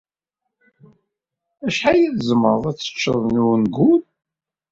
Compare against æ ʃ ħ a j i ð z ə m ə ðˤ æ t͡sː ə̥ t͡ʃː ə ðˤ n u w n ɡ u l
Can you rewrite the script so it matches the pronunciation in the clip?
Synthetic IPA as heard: æ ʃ ħ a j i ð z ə m ə ðˤ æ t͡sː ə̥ t͡ʃː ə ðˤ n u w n ɡ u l